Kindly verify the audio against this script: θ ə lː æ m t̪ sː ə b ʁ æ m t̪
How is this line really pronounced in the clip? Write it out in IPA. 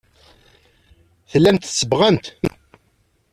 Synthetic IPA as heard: θ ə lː æ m t̪ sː ə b ʁ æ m t̪